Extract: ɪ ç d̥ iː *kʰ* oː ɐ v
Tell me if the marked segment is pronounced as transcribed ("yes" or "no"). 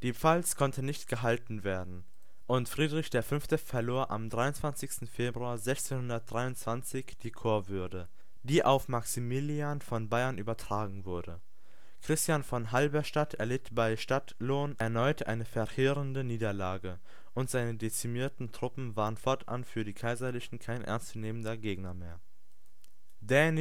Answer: yes